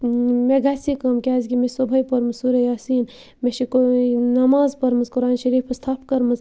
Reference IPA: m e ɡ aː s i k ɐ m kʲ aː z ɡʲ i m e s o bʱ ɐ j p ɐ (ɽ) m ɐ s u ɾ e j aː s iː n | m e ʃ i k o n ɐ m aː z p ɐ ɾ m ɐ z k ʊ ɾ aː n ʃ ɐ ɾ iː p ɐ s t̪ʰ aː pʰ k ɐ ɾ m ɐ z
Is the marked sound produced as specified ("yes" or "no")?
no